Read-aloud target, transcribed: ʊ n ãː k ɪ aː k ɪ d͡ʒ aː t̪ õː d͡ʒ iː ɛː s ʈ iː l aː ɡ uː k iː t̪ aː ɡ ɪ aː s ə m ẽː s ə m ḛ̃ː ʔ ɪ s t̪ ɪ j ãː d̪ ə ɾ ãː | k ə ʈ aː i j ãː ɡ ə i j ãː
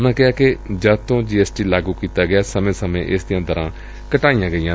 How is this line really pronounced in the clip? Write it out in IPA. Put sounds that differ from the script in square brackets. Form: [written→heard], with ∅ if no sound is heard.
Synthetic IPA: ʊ n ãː k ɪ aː k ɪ d͡ʒ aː t̪ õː d͡ʒ iː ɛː s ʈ iː l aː ɡ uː k iː t̪ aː ɡ ɪ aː s ə m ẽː s ə m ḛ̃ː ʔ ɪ s [t̪→d̪] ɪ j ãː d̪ ə ɾ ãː | k ə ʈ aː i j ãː ɡ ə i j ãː